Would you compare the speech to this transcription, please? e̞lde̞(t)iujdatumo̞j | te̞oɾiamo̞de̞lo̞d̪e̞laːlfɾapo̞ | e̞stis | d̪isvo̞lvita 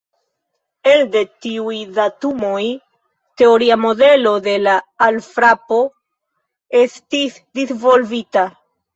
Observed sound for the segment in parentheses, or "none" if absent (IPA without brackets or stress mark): t